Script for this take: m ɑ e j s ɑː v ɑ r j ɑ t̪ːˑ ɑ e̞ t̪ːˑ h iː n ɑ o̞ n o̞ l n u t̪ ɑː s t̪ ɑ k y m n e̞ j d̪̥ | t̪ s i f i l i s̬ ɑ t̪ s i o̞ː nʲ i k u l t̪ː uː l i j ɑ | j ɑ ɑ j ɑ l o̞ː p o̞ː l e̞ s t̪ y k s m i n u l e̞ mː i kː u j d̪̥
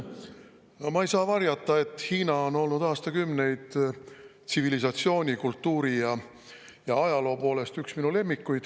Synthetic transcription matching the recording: m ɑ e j s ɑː v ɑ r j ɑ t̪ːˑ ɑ e̞ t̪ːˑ h iː n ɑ o̞ n o̞ l n u d̪ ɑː s t̪ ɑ k y m n e̞ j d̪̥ | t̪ s i v i l i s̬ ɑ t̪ s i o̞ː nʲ i k u l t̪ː uː ɾ i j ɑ | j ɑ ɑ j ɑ l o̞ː p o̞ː l e̞ s t̪ y k s m i n u l e̞ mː i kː u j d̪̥